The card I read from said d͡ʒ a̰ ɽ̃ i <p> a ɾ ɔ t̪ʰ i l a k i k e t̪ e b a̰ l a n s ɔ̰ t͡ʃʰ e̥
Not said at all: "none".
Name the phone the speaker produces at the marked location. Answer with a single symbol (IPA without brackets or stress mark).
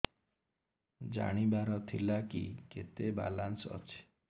b